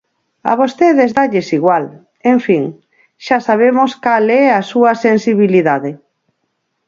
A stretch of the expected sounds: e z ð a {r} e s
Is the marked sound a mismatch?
yes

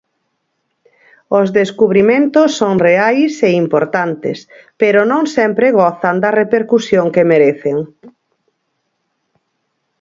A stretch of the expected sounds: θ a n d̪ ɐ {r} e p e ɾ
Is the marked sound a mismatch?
no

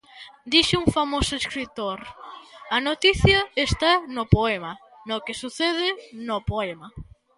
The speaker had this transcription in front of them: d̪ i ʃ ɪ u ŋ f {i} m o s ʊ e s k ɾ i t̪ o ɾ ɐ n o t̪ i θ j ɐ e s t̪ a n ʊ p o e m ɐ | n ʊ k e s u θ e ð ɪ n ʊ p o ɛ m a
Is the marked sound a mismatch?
yes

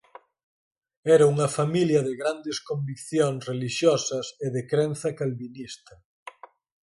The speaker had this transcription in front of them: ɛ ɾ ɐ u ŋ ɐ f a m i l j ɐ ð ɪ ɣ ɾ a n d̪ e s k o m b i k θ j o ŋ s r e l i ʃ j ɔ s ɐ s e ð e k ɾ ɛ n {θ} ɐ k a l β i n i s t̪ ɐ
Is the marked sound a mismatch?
no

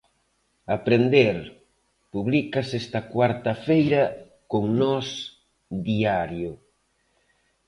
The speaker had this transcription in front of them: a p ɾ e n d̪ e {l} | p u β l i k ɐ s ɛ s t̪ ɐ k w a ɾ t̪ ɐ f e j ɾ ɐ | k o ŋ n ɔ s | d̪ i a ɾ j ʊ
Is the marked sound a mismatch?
yes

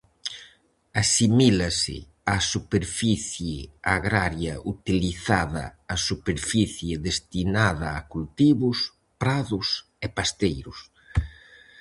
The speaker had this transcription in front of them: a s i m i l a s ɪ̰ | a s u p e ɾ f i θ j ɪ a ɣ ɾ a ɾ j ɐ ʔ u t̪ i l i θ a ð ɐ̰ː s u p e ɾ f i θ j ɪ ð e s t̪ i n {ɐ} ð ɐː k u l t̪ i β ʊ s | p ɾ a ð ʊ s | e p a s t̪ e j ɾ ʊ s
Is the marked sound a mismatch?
yes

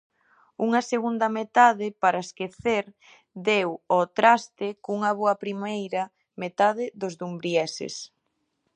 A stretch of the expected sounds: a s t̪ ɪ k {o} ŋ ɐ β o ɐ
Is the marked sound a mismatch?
yes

